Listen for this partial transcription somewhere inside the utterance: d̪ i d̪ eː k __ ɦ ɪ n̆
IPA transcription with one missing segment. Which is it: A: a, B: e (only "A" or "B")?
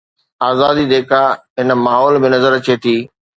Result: A